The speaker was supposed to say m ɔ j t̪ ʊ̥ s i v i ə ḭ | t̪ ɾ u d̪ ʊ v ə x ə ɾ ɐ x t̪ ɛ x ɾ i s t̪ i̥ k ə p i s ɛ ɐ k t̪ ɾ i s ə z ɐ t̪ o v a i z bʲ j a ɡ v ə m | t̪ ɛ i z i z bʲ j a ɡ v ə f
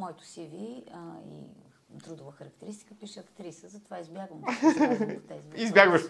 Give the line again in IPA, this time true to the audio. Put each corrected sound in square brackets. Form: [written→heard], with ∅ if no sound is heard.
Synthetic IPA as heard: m ɔ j t̪ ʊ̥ s i v i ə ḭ | t̪ ɾ u d̪ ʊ v ə x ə ɾ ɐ [x→k] t̪ ɛ [x→∅] ɾ i s t̪ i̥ k ə p i [s→ʃ] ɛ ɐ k t̪ ɾ i s ə z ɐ t̪ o v a i z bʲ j a ɡ v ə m | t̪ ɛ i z i z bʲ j a ɡ v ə [f→ʃ]